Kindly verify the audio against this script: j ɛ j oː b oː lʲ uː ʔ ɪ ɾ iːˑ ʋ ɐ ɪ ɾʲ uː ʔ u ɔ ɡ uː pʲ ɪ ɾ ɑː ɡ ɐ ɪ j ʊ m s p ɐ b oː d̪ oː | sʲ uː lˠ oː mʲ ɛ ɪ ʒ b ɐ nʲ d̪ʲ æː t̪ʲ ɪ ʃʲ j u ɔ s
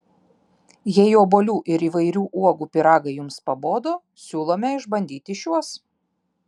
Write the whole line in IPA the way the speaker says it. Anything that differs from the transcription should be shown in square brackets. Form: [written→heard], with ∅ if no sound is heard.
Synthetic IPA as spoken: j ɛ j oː b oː lʲ uː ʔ ɪ ɾ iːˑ ʋ ɐ ɪ ɾʲ uː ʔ u ɔ ɡ uː pʲ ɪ ɾ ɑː ɡ ɐ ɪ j ʊ m s p ɐ b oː d̪ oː | sʲ uː lˠ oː mʲ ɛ ɪ ʒ b ɐ nʲ d̪ʲ [æː→iː] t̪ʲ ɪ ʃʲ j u ɔ s